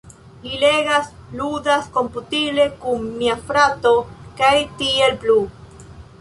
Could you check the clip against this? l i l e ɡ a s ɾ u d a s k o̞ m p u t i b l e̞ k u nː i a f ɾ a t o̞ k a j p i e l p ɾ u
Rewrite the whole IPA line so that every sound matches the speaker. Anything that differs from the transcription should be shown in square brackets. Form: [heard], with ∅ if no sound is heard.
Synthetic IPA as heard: l i l e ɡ a s [l] u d a s k o̞ m p u t i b l e̞ k u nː i a f ɾ a t o̞ k a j [t] i e l p [l] u

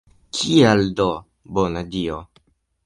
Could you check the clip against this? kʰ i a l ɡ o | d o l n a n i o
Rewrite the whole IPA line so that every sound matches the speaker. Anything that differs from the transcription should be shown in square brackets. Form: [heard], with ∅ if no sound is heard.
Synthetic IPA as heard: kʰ i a l [d] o | [b] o [∅] n a [d] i o

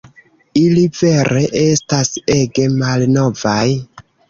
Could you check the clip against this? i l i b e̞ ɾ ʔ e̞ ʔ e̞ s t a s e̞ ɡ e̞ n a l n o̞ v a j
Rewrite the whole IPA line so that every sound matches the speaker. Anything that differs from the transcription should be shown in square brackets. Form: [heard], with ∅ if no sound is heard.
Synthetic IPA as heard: i l i [v] e̞ ɾ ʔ e̞ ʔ e̞ s t a s e̞ ɡ e̞ [m] a l n o̞ v a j

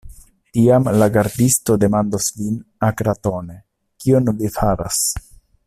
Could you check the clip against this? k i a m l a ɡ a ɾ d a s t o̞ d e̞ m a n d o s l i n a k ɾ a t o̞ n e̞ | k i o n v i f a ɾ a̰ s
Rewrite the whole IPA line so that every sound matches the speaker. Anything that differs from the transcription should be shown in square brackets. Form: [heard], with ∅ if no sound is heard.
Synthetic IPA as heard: [t] i a m l a ɡ a ɾ d [i] s t o̞ d e̞ m a n d o s l i n a k ɾ a t o̞ n e̞ | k i o n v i f a ɾ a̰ s

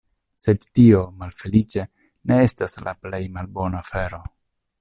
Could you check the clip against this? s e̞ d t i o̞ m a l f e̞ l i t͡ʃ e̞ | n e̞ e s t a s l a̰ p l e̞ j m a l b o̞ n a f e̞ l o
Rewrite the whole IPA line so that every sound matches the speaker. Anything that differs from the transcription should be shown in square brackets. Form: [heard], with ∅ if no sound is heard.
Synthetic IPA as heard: s e̞ d t i o̞ m a l f e̞ l i t͡ʃ e̞ | n e̞ e s t a s l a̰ p l e̞ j m a l b o̞ n a f e̞ [ɾ] o

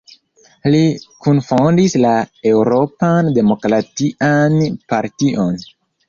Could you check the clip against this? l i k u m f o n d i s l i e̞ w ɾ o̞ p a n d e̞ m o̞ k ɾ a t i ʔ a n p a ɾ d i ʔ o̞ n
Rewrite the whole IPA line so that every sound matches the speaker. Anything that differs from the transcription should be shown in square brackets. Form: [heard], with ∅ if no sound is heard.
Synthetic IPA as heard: l i k u [n] f o n d i s l [a] e̞ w ɾ o̞ p a n d e̞ m o̞ k ɾ a t i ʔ a n p a ɾ [t] i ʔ o̞ n

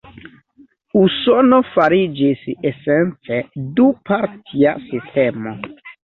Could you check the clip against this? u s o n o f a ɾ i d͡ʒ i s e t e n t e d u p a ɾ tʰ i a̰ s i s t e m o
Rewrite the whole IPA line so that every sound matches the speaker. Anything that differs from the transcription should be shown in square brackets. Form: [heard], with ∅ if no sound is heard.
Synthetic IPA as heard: u s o n o f a ɾ i d͡ʒ i s e [s] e n [t͡s] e d u p a ɾ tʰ i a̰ s i s t e m o

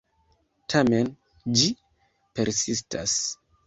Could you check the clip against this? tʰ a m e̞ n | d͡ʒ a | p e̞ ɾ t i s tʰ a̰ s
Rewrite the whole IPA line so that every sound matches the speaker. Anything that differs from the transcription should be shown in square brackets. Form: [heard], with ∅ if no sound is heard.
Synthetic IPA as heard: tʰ a m e̞ n | d͡ʒ [i] | p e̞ ɾ [s] i s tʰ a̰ s

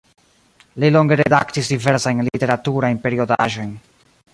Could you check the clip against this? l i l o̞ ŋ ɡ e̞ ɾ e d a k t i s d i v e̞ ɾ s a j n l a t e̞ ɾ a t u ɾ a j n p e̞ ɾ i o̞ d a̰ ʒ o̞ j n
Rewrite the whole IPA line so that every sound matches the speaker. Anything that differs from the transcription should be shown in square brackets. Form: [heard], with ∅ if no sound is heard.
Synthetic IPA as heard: l i l o̞ ŋ ɡ e̞ ɾ e d a k t i s d i v e̞ ɾ s a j n l [i] t e̞ ɾ a t u ɾ a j n p e̞ ɾ i o̞ d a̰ ʒ o̞ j n

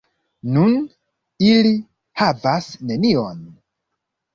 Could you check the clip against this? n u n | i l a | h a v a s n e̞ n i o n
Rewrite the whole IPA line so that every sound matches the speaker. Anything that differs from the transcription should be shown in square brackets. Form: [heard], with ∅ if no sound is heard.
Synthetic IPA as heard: n u n | i l [i] | h a v a s n e̞ n i o n

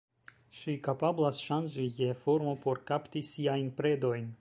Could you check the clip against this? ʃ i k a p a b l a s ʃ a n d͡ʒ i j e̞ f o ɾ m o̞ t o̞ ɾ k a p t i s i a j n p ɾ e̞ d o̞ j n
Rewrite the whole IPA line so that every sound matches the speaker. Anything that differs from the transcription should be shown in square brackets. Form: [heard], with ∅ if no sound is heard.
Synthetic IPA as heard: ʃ i k a p a b l a s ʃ a n d͡ʒ i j e̞ f o ɾ m o̞ [p] o̞ ɾ k a p t i s i a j n p ɾ e̞ d o̞ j n

